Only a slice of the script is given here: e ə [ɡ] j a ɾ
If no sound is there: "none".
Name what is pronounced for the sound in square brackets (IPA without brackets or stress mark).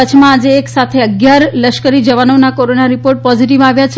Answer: ɡ